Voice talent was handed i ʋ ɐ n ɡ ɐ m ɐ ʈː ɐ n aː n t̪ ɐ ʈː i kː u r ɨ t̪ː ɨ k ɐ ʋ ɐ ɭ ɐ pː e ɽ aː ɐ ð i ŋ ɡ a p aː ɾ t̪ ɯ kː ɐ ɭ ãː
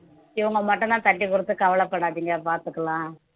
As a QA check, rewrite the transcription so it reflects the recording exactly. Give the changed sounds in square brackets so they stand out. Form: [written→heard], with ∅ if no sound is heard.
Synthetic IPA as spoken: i ʋ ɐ [n→ŋ] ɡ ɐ m ɐ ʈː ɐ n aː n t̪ ɐ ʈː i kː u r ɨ t̪ː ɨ k ɐ ʋ ɐ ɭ ɐ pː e ɽ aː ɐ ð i ŋ ɡ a p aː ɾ t̪ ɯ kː ɐ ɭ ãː